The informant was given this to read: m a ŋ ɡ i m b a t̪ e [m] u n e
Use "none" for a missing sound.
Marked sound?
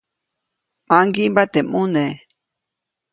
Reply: m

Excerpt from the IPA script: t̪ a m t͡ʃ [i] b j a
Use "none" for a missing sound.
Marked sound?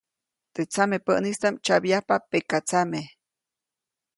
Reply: a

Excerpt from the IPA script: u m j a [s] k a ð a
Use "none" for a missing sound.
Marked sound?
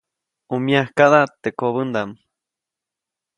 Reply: h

